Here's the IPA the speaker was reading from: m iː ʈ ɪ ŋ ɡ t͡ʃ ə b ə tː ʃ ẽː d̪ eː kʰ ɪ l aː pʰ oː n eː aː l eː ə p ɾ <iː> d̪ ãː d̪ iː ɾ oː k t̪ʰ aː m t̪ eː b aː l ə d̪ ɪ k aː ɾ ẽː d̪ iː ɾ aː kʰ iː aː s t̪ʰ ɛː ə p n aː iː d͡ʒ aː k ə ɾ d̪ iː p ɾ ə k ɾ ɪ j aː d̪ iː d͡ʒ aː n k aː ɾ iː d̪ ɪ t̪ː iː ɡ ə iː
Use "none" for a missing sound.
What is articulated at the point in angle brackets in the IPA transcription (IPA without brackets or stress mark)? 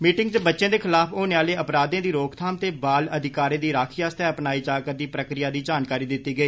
aː